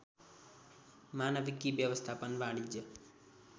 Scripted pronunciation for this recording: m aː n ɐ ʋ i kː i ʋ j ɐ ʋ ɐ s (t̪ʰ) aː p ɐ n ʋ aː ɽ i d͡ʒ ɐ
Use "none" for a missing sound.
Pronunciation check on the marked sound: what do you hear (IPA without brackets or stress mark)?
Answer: t̪ʰ